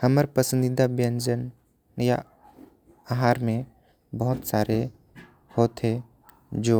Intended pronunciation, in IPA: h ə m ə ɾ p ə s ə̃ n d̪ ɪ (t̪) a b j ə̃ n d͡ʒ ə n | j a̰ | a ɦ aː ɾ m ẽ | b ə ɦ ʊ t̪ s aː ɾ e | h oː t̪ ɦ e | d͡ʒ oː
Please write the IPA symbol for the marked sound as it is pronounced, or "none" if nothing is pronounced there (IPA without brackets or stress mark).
d̪